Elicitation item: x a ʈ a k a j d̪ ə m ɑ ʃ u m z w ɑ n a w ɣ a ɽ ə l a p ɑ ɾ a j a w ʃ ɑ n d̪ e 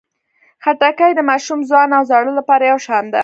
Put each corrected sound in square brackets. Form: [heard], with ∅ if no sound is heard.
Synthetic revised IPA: x a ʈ a k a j d̪ ə m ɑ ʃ u m z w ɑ n a w [z] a ɽ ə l a p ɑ ɾ a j a w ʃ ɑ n d̪ [a]